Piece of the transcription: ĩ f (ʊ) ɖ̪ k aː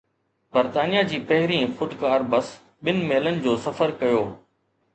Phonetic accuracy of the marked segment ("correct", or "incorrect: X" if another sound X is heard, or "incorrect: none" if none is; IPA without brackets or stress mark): correct